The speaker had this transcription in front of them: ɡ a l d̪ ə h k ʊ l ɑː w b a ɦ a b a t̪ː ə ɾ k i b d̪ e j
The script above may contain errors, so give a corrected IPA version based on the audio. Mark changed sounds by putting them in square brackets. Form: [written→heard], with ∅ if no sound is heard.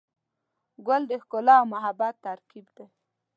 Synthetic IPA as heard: ɡ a l d̪ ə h k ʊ l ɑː w [b→m] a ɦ a b a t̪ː [ə→a] ɾ k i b d̪ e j